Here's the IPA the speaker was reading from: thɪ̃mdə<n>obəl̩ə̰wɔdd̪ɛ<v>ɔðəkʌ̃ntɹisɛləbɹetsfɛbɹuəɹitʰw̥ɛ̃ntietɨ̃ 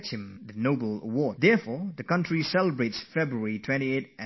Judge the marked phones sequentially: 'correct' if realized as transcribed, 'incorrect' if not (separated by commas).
correct, incorrect